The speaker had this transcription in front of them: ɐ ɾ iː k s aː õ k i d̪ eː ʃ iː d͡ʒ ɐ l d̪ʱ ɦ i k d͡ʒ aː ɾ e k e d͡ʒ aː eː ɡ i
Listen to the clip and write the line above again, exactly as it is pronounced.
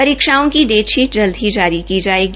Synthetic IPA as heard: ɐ ɾ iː k ʃ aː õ k i d̪ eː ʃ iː d͡ʒ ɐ l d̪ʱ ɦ i d͡ʒ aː ɾ i k i d͡ʒ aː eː ɡ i